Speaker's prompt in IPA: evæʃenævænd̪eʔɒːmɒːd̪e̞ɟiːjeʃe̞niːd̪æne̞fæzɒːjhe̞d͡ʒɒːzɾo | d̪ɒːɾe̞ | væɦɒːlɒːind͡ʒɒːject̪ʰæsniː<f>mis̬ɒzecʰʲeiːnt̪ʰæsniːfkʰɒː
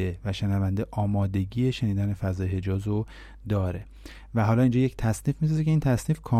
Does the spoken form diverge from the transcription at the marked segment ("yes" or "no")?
no